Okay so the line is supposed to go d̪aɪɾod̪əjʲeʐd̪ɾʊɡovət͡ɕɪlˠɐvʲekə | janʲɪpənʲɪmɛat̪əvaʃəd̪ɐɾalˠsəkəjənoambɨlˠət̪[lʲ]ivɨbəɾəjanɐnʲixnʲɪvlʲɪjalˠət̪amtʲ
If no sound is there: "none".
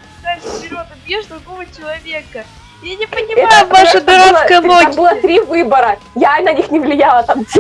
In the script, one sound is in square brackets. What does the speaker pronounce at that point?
ɾʲ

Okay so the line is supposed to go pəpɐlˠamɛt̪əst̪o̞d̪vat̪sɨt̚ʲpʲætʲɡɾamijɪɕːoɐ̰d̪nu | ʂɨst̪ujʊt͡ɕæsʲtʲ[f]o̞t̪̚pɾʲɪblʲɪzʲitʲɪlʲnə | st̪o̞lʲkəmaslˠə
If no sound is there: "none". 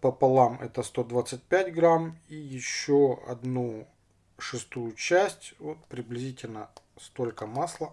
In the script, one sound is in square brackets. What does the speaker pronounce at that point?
v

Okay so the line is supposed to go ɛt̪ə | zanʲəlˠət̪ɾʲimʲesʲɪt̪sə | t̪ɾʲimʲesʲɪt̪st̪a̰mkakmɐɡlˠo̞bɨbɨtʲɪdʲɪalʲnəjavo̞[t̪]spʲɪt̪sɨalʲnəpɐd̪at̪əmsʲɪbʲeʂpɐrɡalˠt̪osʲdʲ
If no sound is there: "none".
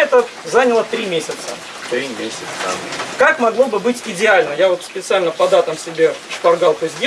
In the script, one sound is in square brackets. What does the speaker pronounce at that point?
t̪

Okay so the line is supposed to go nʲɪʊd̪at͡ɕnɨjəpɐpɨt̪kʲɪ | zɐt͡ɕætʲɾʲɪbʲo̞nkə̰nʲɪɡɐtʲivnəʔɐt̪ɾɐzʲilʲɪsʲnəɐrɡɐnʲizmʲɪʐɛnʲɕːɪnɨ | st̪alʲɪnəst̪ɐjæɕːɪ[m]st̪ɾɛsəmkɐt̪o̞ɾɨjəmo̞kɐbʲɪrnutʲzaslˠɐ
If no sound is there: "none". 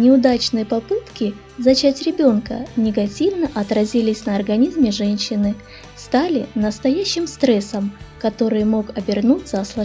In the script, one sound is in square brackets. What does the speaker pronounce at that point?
m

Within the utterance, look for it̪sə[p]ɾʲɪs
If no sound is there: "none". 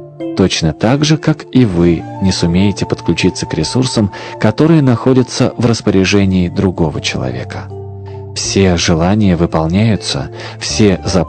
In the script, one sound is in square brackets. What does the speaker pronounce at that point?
k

